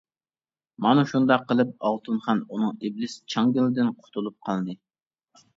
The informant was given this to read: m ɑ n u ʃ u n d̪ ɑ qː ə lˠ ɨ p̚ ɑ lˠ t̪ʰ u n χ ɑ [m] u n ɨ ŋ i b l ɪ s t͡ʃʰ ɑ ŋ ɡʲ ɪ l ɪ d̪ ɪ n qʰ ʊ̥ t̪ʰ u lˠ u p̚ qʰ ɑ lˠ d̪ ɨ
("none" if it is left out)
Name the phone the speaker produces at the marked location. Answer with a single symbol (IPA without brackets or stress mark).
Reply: n